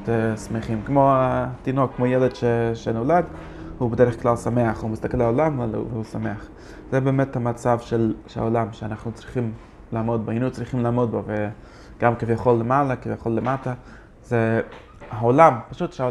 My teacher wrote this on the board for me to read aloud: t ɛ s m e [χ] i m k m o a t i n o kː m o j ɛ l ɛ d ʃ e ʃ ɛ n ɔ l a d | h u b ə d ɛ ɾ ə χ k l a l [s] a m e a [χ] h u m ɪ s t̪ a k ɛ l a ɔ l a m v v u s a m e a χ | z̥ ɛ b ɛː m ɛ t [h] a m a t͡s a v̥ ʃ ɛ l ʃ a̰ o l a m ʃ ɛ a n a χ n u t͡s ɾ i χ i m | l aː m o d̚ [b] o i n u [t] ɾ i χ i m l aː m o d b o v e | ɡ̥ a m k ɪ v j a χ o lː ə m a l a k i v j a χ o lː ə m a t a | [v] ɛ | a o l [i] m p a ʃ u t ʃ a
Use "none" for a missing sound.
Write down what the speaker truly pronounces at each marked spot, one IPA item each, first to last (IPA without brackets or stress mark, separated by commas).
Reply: χ, s, χ, h, b, t͡s, z, a